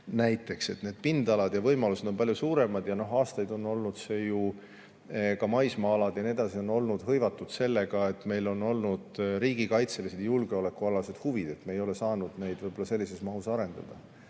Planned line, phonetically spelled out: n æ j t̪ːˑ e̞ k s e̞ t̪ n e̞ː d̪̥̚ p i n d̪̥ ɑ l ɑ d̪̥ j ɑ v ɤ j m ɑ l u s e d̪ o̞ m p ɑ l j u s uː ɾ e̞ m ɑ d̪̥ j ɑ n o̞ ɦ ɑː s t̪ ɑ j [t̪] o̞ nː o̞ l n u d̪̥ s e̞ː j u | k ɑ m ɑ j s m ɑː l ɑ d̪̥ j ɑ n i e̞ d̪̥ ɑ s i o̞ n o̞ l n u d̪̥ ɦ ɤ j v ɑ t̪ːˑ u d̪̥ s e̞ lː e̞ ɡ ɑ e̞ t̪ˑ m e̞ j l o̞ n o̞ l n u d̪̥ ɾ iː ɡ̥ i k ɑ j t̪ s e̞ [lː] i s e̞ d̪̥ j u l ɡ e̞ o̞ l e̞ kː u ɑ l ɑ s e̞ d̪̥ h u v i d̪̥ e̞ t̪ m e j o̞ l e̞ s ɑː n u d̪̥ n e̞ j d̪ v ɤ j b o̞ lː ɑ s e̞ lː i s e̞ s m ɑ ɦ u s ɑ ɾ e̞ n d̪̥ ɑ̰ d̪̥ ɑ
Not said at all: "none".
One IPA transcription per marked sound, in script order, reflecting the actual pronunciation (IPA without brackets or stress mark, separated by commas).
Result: d̪, l